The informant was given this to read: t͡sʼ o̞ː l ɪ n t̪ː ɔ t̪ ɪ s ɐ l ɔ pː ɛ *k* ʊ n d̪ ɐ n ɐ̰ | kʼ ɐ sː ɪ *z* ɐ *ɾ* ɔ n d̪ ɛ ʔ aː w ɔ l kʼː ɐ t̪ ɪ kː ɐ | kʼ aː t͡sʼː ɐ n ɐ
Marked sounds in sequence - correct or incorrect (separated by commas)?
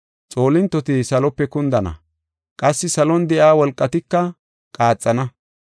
correct, incorrect, incorrect